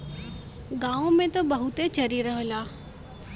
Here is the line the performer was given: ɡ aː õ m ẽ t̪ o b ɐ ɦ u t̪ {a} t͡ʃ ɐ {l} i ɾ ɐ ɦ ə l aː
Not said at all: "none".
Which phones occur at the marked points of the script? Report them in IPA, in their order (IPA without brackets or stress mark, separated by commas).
e, ɾ